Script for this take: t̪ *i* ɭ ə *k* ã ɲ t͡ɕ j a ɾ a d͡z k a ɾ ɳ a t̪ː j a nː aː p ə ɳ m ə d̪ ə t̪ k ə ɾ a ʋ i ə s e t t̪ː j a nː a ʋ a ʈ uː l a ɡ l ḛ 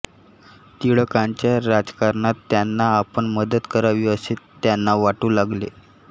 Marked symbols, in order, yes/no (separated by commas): yes, yes